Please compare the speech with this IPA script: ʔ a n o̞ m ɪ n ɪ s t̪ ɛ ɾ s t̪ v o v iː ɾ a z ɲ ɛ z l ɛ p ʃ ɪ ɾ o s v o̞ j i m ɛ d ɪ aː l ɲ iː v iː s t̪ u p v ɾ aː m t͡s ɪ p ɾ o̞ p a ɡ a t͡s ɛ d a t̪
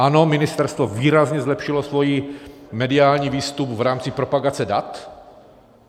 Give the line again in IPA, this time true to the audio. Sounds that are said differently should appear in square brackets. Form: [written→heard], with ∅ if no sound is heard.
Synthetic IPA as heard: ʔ a n o̞ m ɪ n ɪ s t̪ ɛ ɾ s t̪ v o v iː ɾ a z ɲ ɛ z l ɛ p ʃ ɪ [ɾ→l] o s v o̞ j i m ɛ d ɪ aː l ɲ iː v iː s t̪ u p v ɾ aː m t͡s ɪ p ɾ o̞ p a ɡ a t͡s ɛ d a t̪